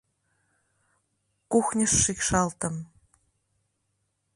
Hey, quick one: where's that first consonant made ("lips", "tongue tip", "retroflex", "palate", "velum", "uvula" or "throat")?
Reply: velum